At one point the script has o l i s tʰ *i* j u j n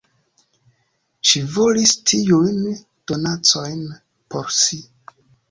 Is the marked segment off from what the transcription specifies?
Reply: no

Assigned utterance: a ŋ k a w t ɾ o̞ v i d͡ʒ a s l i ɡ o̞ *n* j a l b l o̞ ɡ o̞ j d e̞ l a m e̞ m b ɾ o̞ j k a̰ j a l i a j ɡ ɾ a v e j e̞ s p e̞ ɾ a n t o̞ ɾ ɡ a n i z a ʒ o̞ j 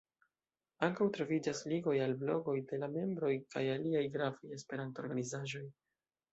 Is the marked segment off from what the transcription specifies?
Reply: yes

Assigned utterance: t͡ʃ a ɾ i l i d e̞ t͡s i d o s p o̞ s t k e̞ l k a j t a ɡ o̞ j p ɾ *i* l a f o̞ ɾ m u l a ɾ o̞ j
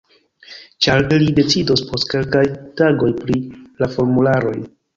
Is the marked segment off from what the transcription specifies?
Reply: no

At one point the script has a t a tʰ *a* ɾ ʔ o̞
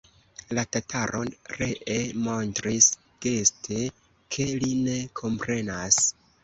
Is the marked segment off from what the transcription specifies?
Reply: no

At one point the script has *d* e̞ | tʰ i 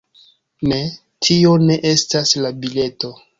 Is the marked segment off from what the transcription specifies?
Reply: yes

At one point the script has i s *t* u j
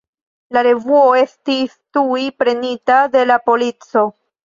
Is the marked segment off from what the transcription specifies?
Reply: no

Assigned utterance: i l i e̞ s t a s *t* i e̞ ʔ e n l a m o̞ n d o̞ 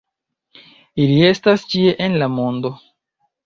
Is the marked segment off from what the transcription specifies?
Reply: yes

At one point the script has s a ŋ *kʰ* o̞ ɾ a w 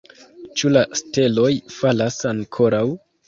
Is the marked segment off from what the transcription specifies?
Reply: no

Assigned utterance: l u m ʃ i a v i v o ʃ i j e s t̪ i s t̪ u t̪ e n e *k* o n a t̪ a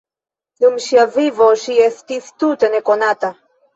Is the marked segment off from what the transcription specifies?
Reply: no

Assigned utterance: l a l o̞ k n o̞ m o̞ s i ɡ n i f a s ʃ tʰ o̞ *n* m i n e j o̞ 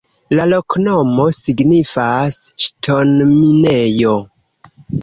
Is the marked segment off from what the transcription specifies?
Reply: no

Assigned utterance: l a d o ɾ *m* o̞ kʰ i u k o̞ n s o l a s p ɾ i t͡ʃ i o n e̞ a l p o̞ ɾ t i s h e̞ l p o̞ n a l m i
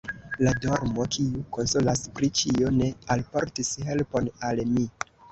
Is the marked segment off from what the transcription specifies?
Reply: no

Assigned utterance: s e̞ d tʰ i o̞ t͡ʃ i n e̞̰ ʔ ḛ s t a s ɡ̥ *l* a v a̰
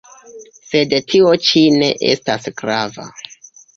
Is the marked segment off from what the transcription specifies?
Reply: yes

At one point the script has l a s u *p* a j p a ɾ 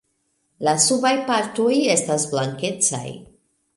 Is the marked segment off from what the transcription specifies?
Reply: yes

